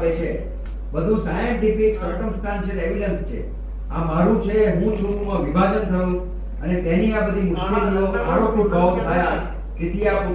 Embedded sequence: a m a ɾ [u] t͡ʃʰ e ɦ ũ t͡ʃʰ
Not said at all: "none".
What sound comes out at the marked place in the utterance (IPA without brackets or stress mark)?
ũ